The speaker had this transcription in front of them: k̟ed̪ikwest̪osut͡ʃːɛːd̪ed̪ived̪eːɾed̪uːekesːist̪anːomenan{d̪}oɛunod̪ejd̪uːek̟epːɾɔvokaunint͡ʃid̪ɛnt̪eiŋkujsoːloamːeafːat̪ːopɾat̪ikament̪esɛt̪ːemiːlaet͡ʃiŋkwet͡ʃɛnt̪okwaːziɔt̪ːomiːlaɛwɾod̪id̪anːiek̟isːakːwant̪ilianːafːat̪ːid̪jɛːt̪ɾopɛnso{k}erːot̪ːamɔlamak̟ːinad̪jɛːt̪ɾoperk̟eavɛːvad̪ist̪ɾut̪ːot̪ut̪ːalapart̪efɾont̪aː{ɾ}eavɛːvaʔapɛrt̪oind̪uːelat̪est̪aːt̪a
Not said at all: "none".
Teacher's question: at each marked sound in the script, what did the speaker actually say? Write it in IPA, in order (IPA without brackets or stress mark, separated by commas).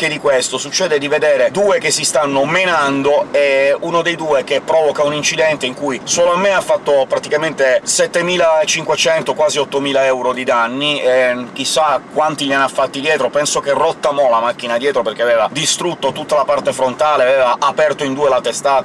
d̪, k, l